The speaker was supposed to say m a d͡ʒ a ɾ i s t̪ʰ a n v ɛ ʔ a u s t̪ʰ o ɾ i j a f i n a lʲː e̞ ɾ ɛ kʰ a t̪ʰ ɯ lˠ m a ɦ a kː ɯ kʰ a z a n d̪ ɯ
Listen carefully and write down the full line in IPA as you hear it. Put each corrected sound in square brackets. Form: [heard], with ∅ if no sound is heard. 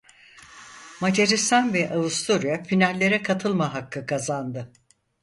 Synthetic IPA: m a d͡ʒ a ɾ i s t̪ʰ a n v ɛ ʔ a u s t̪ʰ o ɾ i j a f i n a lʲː e̞ ɾ ɛ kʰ a t̪ʰ ɯ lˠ m a ɦ a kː ɯ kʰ a z a n d̪ ɯ